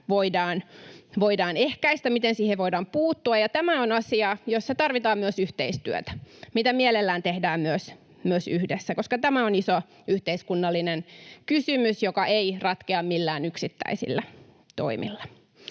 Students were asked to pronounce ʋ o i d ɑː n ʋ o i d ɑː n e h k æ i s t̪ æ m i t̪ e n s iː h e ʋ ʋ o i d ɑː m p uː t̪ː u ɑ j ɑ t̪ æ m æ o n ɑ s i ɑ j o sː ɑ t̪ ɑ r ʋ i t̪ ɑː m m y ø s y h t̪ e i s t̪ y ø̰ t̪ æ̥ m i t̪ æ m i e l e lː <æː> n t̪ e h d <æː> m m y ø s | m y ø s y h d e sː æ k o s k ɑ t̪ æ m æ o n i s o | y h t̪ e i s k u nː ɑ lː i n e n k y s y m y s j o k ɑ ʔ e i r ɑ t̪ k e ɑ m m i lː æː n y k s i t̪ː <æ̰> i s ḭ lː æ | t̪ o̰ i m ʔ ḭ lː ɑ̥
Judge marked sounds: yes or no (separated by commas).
yes, yes, yes